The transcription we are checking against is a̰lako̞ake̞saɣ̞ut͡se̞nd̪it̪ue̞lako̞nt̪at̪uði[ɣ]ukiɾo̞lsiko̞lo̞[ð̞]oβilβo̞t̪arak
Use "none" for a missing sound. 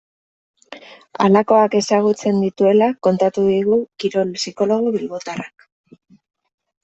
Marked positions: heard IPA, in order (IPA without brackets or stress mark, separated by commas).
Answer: ɣ, ɣ̞